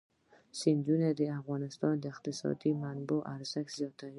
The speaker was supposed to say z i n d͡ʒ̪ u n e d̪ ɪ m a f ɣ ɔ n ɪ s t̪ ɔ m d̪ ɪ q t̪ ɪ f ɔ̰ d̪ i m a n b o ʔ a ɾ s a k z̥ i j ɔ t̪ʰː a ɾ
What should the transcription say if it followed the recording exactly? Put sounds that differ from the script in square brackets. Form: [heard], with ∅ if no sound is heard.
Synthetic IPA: [s] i n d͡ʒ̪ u n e d̪ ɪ [∅] a f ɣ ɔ n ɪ s t̪ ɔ [n] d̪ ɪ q t̪ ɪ [s] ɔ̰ d̪ i m a n b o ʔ a ɾ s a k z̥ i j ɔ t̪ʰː a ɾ